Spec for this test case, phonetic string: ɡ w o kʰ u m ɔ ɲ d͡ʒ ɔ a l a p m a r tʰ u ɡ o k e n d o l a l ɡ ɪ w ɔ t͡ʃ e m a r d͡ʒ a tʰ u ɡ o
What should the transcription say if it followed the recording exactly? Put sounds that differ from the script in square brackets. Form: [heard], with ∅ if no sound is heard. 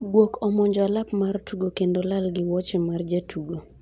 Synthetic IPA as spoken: ɡ w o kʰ [ɔ] m ɔ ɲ d͡ʒ ɔ a l a p m a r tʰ u ɡ o k e n d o l a l ɡ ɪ w ɔ t͡ʃ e m a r d͡ʒ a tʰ u ɡ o